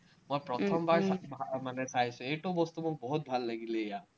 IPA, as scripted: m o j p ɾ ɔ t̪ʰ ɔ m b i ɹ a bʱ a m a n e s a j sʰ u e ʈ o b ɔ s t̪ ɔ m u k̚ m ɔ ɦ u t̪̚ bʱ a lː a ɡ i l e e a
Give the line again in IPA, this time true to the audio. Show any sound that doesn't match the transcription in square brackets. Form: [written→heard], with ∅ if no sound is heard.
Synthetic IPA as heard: m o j p ɾ ɔ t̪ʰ ɔ m b [i→a] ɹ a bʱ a m a n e s a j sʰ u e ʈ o b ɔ s t̪ [ɔ→u] m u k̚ [m→b] ɔ ɦ u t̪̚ bʱ a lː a ɡ i l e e a